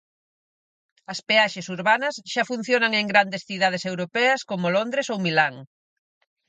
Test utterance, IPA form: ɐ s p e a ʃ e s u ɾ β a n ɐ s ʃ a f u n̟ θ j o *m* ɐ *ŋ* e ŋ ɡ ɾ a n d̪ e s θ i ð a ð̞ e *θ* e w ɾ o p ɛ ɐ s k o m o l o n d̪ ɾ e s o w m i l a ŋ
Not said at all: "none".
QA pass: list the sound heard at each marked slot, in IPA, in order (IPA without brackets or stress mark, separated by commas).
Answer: n, ŋ, s